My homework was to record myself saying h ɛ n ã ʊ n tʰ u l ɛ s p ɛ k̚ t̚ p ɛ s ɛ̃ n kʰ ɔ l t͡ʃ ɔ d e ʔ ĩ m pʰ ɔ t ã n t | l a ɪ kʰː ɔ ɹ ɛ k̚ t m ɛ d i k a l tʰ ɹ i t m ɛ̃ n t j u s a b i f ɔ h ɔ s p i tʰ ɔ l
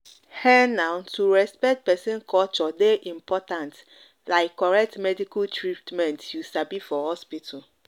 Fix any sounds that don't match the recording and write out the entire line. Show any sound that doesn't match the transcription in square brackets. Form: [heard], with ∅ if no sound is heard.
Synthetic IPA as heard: h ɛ n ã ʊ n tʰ u [ɹ] ɛ s p ɛ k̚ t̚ p ɛ s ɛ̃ n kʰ ɔ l t͡ʃ ɔ d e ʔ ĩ m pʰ ɔ t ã n t | l a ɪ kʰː ɔ ɹ ɛ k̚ t m ɛ d i k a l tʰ ɹ i t m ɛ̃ n t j u s a b i f ɔ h ɔ s p i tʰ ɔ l